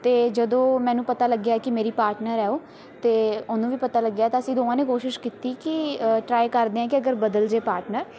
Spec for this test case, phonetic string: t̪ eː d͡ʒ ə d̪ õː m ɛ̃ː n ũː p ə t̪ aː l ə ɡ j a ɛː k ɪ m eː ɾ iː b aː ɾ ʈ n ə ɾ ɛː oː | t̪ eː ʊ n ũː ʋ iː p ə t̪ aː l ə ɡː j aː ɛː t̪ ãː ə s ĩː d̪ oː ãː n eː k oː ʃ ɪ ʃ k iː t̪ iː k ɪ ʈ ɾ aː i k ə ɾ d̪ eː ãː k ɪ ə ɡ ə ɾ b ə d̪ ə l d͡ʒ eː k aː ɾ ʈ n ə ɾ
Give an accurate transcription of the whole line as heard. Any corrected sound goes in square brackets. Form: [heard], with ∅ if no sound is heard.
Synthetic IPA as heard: t̪ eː d͡ʒ ə d̪ õː m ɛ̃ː n ũː p ə t̪ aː l ə ɡ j a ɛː k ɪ m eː ɾ iː [p] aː ɾ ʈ n ə ɾ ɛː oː | t̪ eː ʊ n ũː ʋ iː p ə t̪ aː l ə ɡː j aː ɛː t̪ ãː ə s ĩː d̪ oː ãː n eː k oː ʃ ɪ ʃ k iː t̪ iː k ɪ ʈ ɾ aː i k ə ɾ d̪ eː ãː k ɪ ə ɡ ə ɾ b ə d̪ ə l d͡ʒ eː [p] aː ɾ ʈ n ə ɾ

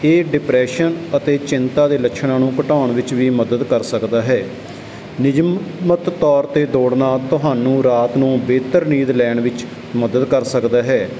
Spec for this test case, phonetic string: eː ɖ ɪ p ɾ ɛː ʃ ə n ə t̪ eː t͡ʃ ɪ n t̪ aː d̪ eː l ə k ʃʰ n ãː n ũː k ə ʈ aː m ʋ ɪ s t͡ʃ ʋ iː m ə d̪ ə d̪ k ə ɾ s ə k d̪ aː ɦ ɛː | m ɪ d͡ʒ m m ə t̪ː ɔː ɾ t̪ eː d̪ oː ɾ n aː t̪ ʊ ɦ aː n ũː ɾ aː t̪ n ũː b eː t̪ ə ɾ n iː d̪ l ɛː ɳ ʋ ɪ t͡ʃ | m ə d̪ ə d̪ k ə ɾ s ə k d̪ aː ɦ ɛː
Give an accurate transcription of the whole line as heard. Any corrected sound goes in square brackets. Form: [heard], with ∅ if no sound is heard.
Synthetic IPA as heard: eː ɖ ɪ p ɾ ɛː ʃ ə n ə t̪ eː t͡ʃ ɪ n t̪ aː d̪ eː l ə k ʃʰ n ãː n ũː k ə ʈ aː [ɳ] ʋ ɪ [∅] t͡ʃ ʋ iː m ə d̪ ə d̪ k ə ɾ s ə k d̪ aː ɦ ɛː | [n] ɪ d͡ʒ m m ə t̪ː ɔː ɾ t̪ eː d̪ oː [ɽ] n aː t̪ ʊ ɦ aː n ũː ɾ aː t̪ n ũː b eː t̪ ə ɾ n iː d̪ l ɛː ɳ ʋ ɪ t͡ʃ | m ə d̪ ə d̪ k ə ɾ s ə k d̪ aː ɦ ɛː

